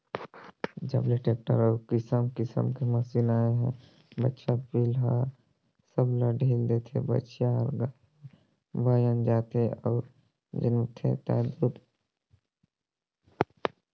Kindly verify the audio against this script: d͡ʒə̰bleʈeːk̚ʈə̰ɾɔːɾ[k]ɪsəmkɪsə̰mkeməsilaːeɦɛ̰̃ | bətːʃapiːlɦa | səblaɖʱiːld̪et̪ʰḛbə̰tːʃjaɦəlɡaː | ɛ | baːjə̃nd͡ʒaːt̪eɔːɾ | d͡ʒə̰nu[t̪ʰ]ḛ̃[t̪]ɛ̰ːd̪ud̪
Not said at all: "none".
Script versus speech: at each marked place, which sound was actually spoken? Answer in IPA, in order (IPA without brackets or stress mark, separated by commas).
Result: k, t̪ʰ, t̪